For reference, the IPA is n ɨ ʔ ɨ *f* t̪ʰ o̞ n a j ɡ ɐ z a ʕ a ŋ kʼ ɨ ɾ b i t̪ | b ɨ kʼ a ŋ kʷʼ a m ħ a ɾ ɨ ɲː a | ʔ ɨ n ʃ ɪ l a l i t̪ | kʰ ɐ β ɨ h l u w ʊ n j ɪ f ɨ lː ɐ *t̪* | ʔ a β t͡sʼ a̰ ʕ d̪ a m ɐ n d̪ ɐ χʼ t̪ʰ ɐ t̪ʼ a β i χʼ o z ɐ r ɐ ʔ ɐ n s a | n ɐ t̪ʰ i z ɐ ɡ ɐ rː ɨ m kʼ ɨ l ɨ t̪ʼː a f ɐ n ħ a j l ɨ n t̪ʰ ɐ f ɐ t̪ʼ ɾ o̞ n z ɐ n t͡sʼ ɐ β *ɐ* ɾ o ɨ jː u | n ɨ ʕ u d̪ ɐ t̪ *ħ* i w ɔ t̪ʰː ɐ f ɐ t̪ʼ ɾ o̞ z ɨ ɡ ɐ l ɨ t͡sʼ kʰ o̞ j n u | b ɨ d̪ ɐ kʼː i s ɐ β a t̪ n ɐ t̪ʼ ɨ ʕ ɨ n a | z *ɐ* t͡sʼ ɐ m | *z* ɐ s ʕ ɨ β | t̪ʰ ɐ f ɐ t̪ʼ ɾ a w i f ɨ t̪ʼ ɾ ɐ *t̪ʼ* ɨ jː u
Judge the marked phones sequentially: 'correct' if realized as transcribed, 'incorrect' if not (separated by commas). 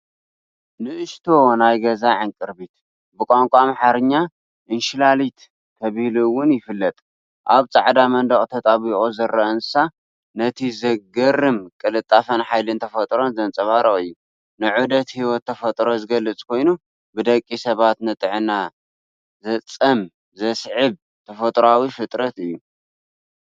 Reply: incorrect, incorrect, incorrect, incorrect, correct, correct, incorrect